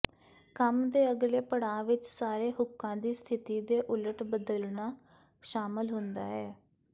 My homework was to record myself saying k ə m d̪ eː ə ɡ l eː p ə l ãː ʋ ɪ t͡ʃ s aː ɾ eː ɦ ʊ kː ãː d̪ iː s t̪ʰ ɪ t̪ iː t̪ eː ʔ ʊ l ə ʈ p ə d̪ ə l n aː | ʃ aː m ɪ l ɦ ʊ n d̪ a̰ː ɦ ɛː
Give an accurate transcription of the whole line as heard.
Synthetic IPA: k ə m d̪ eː ə ɡ l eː p ə ɽ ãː ʋ ɪ t͡ʃ s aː ɾ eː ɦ ʊ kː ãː d̪ iː s t̪ʰ ɪ t̪ iː d̪ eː ʔ ʊ l ə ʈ b ə d̪ ə l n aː | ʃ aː m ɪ l ɦ ʊ n d̪ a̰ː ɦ ɛː